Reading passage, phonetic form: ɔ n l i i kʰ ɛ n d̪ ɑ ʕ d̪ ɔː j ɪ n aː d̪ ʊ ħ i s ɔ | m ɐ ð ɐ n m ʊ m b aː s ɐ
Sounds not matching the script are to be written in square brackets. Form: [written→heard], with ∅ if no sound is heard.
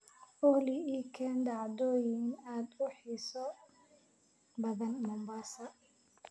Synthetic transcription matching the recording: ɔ [n→∅] l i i kʰ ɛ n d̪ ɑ ʕ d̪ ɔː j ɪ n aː d̪ ʊ ħ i s ɔ | [m→b] ɐ ð ɐ n m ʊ m b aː s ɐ

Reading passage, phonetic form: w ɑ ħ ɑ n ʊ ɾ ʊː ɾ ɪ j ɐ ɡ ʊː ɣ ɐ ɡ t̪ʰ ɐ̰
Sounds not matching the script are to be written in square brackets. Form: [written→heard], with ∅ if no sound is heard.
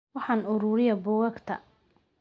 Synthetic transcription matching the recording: w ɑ ħ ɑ n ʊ ɾ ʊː ɾ ɪ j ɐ [ɡ→b] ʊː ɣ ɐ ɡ t̪ʰ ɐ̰

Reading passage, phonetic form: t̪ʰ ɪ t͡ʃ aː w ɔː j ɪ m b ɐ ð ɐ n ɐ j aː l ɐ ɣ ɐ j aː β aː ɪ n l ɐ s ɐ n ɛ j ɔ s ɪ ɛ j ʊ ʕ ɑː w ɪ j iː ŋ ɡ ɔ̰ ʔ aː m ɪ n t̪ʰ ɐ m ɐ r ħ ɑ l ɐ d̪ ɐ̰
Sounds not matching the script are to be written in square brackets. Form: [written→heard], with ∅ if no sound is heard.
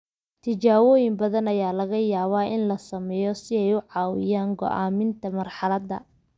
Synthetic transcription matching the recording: t̪ʰ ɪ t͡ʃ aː w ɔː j ɪ m b ɐ ð ɐ n ɐ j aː l ɐ ɣ ɐ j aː β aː ɪ n l ɐ s ɐ [n→m] ɛ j ɔ s ɪ ɛ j ʊ ʕ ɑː w ɪ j [iː→aː] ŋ ɡ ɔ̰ ʔ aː m ɪ n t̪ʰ ɐ m ɐ r ħ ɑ l ɐ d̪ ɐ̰

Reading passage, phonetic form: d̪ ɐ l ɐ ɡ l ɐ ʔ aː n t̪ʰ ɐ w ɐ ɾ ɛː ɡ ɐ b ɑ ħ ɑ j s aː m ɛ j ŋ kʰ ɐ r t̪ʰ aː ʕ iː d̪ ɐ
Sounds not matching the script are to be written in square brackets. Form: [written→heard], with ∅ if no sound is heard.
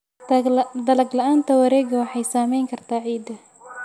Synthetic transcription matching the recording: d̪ ɐ l ɐ ɡ l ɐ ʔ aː n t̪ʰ ɐ w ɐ ɾ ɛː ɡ ɐ [b→w] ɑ ħ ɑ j s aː m ɛ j ŋ kʰ ɐ r t̪ʰ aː ʕ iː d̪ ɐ

